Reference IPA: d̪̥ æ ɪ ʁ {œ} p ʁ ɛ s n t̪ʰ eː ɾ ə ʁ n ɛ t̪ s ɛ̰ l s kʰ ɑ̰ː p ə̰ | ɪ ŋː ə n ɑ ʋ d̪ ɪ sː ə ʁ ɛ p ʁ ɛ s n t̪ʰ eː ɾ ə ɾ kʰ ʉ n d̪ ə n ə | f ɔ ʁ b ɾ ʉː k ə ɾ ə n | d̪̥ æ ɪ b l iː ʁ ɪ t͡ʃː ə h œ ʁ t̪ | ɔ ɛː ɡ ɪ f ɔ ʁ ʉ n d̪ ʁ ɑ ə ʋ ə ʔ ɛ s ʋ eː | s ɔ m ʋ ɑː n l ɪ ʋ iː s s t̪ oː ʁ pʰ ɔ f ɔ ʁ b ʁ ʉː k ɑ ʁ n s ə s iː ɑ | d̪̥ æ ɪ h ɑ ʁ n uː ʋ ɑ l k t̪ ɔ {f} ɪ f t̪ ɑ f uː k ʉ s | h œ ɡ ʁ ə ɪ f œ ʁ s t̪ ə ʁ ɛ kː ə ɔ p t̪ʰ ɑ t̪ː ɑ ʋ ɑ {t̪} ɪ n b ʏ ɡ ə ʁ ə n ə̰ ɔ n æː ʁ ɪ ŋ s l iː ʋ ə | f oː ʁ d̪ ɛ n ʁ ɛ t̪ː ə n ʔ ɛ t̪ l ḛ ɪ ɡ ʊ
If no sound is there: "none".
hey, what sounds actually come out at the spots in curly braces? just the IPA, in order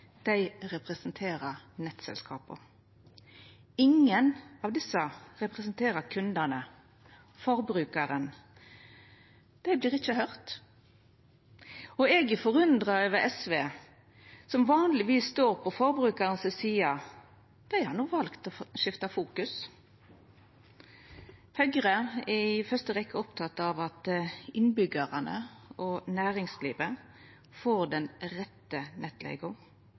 ɛ, ʃ, t̪

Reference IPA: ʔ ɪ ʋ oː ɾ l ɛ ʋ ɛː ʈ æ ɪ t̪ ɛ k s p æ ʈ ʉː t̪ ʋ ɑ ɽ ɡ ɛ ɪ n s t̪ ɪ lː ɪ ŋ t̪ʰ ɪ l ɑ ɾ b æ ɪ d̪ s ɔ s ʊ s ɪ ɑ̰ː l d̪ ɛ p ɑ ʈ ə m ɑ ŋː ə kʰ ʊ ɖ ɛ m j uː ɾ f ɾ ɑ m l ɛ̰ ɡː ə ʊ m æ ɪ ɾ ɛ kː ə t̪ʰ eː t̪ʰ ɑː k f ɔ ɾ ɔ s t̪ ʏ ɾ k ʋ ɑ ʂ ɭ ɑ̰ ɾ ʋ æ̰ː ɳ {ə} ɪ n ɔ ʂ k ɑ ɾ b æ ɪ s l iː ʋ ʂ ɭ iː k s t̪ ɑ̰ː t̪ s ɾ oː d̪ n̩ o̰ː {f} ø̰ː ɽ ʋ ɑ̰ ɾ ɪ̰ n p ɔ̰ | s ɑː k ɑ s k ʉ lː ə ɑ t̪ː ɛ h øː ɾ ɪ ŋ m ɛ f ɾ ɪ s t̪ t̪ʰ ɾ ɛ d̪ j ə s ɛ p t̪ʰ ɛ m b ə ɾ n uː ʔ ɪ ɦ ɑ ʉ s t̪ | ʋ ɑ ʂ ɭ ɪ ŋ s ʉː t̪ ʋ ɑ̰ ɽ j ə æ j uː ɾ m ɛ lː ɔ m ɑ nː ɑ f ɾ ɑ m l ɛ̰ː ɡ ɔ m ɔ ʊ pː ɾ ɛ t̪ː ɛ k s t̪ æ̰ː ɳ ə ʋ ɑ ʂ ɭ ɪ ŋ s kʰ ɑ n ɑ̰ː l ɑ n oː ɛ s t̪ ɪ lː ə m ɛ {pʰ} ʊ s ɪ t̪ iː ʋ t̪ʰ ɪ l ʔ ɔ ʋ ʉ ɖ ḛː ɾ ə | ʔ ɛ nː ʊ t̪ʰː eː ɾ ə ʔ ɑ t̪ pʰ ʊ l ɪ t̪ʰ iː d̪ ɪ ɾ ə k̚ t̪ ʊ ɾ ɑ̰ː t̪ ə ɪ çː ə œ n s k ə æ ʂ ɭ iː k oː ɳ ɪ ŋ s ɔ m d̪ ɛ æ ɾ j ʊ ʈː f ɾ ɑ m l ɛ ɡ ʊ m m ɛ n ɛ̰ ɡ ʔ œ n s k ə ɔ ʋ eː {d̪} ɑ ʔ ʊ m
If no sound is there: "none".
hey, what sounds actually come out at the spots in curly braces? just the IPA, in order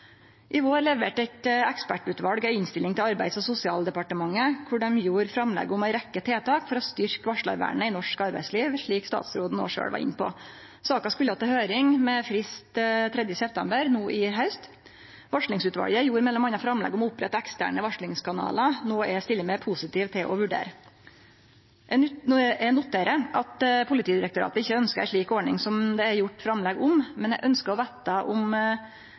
ə, ʂ, pʰ, t̪

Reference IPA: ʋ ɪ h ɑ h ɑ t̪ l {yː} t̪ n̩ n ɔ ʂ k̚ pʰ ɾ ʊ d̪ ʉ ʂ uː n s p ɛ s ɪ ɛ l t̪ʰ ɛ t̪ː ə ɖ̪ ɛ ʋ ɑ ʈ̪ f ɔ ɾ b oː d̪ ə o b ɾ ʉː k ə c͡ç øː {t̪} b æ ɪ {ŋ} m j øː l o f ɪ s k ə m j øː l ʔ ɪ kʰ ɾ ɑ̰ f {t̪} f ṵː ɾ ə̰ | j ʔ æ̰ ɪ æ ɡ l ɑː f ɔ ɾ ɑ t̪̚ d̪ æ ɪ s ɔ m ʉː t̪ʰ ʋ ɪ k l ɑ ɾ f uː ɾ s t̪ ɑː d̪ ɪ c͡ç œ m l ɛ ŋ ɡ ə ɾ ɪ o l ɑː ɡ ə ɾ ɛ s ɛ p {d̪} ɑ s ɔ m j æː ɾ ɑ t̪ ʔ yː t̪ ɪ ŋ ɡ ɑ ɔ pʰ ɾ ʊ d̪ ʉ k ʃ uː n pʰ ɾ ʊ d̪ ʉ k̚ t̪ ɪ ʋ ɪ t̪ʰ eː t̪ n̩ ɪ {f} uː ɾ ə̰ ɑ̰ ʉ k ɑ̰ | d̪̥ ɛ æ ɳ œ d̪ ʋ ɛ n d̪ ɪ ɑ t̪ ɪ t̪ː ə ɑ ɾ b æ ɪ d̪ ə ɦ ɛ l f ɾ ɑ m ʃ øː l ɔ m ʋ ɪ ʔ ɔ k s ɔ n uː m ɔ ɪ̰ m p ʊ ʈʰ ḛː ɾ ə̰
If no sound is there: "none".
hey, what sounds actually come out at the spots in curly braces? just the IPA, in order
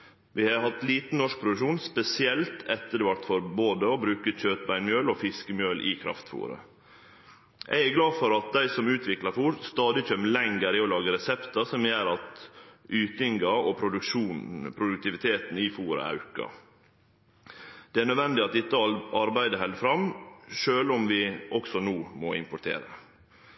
iː, t̪, n, t̪, t̪, f

